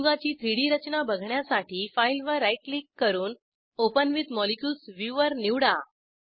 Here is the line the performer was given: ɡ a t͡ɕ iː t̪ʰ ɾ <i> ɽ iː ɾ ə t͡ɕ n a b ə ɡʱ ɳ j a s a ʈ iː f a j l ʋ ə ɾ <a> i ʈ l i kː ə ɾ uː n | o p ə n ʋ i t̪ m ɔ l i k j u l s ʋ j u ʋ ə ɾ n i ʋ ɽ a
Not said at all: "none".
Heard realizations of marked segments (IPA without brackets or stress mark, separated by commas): i, a